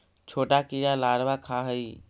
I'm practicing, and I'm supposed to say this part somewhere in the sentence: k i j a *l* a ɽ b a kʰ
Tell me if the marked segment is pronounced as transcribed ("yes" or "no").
yes